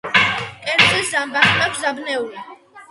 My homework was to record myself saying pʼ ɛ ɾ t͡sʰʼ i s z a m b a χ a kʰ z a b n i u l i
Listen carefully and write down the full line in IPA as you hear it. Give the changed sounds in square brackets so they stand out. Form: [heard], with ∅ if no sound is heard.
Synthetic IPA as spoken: [kʼ] ɛ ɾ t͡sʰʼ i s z a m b a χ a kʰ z a b n [ɛ] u l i